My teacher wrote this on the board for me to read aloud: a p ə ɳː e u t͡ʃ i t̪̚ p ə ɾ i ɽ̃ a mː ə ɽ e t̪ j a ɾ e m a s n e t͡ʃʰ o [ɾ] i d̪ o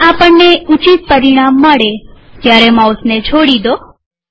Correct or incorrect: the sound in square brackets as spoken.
incorrect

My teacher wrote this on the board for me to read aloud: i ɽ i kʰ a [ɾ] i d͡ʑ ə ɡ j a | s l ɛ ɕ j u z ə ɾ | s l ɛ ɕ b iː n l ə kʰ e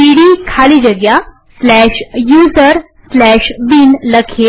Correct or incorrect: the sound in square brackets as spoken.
incorrect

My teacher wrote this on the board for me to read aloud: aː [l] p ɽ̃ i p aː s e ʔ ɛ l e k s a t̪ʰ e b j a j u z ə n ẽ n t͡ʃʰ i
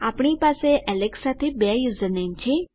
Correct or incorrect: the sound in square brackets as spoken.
incorrect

